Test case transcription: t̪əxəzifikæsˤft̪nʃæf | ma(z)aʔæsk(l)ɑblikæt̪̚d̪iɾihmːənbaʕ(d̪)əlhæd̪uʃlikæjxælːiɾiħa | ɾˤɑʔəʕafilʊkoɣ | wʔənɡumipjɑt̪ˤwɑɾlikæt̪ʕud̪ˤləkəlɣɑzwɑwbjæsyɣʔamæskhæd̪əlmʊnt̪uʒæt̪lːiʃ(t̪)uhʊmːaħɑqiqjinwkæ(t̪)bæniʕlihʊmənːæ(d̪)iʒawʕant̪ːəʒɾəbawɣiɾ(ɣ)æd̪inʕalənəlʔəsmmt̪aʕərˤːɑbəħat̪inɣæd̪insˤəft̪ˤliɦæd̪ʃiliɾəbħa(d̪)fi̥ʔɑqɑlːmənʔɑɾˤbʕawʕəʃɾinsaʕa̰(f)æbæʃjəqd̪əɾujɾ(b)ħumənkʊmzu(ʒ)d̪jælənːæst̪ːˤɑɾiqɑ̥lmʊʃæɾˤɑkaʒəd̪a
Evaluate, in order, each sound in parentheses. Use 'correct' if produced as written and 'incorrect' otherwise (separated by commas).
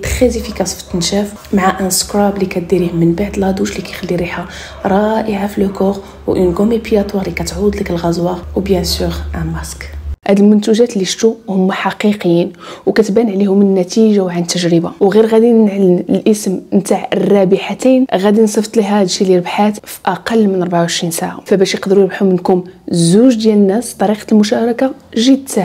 incorrect, incorrect, correct, correct, correct, incorrect, correct, incorrect, correct, correct, correct